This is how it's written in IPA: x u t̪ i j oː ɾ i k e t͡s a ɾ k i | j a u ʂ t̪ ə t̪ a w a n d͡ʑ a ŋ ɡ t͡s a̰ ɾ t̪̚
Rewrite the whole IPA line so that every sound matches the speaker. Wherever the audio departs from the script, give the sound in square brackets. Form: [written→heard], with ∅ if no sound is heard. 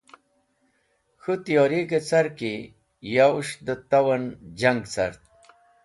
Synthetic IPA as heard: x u t̪ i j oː ɾ i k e t͡s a ɾ k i | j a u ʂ [t̪→d̪] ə t̪ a w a n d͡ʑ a ŋ ɡ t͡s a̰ ɾ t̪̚